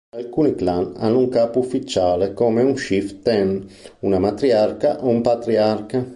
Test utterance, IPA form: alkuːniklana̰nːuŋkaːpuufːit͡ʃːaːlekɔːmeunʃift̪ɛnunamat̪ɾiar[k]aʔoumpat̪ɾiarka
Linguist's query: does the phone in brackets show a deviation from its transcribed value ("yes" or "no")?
no